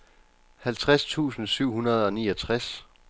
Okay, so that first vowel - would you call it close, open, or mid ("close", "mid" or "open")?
open